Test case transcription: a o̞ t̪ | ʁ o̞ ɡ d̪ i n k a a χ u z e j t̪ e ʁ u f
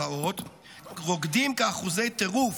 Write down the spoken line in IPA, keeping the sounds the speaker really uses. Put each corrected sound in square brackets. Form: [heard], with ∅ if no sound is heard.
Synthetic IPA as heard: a o̞ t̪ | ʁ o̞ ɡ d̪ i [m] k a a χ u z e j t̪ e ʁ u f